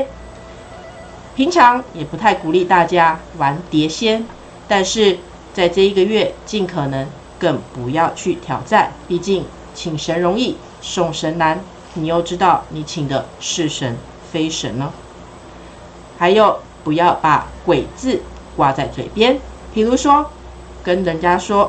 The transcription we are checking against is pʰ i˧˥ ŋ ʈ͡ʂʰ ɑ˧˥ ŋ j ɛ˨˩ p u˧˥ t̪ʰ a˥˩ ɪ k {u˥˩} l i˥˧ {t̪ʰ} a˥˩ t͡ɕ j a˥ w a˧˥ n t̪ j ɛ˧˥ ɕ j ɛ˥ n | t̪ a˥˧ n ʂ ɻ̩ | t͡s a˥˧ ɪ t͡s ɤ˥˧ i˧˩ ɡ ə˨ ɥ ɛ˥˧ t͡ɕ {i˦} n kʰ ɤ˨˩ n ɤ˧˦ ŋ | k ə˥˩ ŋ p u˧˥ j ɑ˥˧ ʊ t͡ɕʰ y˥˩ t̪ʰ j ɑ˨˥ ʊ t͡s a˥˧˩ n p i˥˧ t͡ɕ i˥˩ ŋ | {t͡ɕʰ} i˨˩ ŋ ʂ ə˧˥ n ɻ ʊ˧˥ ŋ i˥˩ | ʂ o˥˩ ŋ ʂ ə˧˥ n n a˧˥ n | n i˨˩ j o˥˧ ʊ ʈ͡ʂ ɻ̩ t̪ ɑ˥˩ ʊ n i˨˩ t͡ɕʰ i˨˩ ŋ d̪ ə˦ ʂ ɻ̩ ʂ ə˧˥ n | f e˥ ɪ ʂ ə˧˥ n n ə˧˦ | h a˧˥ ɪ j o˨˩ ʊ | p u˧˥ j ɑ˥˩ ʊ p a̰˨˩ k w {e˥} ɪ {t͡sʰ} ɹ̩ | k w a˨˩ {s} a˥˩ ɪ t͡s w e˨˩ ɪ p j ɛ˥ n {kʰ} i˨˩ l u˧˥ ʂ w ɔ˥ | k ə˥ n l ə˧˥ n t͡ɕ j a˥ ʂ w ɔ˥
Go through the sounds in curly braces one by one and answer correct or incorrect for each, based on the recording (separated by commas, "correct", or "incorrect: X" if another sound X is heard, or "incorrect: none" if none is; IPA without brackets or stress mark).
incorrect: u˨˩, incorrect: t̪, incorrect: i˥˩, correct, incorrect: e˨˩, incorrect: t͡s, incorrect: t͡s, incorrect: pʰ